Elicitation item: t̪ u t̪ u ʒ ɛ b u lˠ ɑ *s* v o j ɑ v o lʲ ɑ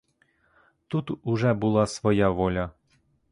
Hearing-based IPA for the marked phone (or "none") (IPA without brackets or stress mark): s